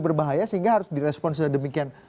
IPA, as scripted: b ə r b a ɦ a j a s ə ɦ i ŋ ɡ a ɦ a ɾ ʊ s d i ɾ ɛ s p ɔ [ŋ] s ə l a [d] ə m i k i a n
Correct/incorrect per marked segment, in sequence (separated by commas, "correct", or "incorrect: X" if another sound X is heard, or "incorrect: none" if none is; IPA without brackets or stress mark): incorrect: n, correct